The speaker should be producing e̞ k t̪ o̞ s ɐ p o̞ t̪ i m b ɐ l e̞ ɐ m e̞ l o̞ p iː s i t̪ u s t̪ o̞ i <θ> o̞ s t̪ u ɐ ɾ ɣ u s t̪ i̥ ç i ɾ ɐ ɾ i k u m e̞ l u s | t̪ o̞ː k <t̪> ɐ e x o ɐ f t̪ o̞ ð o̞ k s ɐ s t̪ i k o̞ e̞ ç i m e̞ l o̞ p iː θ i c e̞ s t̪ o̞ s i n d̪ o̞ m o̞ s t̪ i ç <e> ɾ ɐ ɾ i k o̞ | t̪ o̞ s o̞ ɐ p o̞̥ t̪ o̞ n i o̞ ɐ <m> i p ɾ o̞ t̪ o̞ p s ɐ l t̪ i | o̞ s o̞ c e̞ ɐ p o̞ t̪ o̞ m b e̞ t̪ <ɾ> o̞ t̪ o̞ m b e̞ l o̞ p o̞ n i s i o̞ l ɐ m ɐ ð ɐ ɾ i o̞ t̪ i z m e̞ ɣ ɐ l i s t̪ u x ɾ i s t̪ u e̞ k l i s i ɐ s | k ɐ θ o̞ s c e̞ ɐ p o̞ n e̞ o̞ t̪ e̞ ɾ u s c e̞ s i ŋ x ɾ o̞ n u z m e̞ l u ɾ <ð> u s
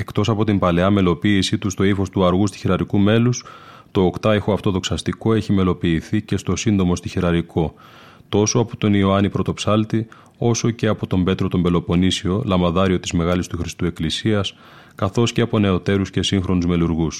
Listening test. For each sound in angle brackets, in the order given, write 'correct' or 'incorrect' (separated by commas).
incorrect, correct, incorrect, incorrect, correct, incorrect